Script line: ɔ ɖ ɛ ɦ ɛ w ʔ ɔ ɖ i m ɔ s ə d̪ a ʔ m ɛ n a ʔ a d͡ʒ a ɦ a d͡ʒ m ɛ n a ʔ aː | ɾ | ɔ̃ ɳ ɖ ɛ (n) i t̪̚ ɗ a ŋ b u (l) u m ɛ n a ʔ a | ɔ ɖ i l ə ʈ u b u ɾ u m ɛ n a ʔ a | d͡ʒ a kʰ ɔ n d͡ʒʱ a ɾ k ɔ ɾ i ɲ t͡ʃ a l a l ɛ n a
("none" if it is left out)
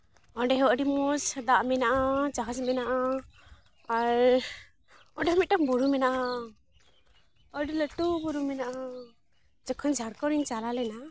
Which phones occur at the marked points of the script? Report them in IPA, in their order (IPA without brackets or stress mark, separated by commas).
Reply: m, ɾ